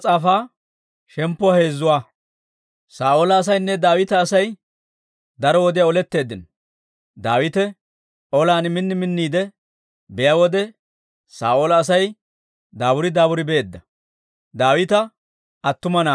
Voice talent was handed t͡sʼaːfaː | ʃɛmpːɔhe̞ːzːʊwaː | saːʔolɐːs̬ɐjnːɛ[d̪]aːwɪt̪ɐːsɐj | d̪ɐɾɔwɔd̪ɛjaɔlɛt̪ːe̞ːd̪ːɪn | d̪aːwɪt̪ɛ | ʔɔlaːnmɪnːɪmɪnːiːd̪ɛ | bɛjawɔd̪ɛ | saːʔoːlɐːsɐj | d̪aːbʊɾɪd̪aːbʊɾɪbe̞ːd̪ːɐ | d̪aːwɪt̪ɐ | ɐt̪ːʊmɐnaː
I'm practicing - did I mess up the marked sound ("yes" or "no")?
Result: no